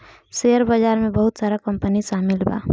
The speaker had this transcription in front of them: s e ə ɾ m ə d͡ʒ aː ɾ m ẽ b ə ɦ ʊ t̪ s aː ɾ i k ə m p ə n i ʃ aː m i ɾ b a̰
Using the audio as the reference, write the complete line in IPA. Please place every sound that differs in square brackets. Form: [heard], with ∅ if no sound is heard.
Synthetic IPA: s e ə ɾ [b] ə d͡ʒ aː ɾ m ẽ b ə ɦ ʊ t̪ s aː ɾ [a] k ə m p ə n i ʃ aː m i [l] b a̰